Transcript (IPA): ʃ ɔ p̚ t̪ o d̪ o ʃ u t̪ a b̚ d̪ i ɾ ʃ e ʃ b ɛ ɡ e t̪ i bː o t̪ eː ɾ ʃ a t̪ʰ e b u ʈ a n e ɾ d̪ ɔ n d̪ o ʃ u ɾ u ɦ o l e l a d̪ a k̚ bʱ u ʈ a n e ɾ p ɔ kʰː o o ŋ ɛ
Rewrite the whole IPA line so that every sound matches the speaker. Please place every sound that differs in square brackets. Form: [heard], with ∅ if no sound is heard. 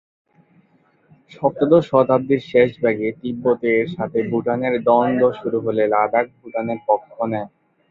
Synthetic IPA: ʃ ɔ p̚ t̪ o d̪ o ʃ [ɔ] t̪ a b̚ d̪ i ɾ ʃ e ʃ b ɛ ɡ e t̪ i bː o t̪ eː ɾ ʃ a t̪ʰ e b u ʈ a n e ɾ d̪ ɔ n d̪ o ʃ u ɾ u ɦ o l e l a d̪ a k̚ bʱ u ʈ a n e ɾ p ɔ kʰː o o [n] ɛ